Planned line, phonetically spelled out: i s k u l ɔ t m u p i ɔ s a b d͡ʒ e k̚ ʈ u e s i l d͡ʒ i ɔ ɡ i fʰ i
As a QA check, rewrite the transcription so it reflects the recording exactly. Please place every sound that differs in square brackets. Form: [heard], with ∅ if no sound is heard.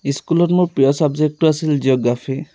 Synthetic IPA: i s k u l ɔ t m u p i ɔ s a b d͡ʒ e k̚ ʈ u [a] s i l d͡ʒ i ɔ ɡ [a] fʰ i